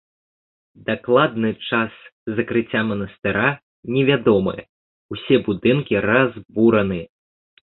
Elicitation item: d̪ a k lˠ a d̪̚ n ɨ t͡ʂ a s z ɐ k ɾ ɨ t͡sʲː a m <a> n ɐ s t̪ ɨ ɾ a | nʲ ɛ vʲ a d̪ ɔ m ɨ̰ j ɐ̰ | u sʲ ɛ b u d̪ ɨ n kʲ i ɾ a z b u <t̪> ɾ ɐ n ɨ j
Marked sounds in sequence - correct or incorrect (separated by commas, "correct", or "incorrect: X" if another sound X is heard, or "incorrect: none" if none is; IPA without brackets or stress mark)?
incorrect: ɐ, incorrect: none